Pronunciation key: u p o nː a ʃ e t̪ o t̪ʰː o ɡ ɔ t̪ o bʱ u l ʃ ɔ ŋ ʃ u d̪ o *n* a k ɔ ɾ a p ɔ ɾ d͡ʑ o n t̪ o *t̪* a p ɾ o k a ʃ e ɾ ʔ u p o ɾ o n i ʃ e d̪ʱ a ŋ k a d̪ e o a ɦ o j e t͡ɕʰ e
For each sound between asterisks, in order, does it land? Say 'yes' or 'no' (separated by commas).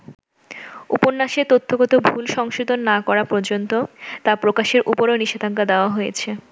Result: no, yes